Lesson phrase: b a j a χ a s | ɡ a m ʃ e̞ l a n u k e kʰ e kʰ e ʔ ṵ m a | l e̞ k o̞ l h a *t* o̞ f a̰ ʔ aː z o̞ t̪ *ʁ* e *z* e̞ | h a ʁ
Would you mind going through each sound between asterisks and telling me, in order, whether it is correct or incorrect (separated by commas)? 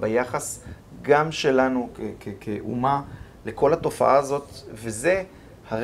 correct, incorrect, correct